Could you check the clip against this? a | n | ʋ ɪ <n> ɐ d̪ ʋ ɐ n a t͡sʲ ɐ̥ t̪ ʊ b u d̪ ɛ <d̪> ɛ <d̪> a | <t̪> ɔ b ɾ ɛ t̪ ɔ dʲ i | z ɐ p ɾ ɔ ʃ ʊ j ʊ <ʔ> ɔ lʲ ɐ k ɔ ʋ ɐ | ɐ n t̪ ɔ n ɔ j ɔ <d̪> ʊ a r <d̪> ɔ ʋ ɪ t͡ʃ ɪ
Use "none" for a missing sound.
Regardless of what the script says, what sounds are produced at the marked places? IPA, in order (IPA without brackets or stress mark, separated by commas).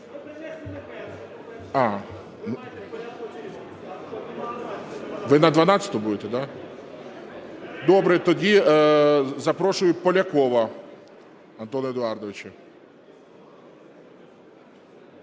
n, t̪, d̪, d̪, p, d̪, d̪